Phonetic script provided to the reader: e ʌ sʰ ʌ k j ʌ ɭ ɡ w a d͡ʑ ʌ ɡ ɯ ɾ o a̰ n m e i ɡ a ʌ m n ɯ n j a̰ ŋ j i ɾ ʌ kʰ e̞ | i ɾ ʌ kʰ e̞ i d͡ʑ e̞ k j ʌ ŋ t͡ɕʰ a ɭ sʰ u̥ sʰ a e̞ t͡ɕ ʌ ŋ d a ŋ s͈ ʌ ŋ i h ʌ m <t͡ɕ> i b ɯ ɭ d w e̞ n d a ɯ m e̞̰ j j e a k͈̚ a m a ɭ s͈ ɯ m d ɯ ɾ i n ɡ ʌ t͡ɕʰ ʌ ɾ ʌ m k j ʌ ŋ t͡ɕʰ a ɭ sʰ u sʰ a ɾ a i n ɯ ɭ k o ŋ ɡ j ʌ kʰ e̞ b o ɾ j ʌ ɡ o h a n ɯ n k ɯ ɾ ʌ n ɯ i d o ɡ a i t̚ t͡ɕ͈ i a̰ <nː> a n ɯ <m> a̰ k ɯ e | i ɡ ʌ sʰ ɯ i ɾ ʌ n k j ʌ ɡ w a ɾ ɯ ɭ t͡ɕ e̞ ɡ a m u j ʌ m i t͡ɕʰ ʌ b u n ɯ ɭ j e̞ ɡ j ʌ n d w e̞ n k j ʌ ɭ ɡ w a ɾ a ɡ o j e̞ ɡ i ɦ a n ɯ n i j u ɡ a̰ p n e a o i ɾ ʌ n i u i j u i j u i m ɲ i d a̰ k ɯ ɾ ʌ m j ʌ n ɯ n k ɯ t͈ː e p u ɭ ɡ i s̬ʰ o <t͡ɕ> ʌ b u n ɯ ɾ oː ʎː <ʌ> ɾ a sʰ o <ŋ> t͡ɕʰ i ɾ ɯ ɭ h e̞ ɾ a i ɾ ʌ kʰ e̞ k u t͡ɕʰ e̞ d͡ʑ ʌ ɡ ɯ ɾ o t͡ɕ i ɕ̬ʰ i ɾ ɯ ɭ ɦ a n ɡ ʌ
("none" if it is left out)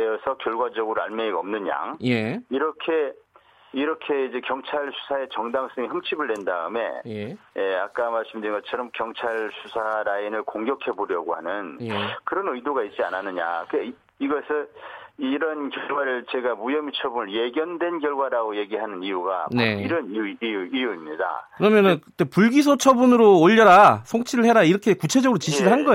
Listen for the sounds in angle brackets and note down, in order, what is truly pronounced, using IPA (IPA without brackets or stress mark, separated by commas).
t͡ɕʰ, n, ɲ, t͡ɕʰ, ʌ, ŋ